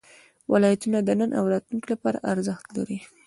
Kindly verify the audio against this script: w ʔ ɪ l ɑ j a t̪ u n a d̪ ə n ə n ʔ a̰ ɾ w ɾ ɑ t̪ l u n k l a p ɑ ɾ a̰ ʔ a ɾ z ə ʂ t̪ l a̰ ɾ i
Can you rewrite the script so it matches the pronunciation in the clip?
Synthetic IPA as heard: w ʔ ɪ l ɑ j a t̪ u n a d̪ ə n ə n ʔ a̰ w ɾ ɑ t̪ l u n k l a p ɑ ɾ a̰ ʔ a ɾ z ə x t̪ l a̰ ɾ i

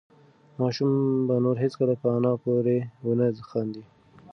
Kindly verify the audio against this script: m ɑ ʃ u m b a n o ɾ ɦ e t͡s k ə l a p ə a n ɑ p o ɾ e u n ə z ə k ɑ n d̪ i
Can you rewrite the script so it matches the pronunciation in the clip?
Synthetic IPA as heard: m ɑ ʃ u m b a n o ɾ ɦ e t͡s k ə l a p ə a n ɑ p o ɾ e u n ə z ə x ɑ n d̪ i

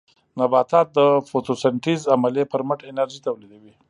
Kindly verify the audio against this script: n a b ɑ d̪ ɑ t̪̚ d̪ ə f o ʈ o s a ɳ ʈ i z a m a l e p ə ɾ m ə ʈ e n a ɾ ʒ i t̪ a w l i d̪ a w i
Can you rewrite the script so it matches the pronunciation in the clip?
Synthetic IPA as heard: n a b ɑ t̪ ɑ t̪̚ d̪ ə f o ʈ o s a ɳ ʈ i z a m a l e p ə ɾ m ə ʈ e n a ɾ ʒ i t̪ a w l i d̪ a w i

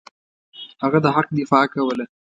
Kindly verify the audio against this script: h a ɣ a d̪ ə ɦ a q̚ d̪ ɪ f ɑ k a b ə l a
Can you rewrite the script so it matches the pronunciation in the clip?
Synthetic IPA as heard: h a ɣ a d̪ ə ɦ a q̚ d̪ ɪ f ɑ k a w ə l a

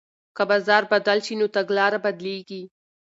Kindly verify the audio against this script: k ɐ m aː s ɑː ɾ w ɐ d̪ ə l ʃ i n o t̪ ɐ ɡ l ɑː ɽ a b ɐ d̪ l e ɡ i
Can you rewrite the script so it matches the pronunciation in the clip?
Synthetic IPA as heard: k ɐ b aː z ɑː ɾ b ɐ d̪ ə l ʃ i n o t̪ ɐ ɡ l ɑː ɾ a b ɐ d̪ l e ɡ i

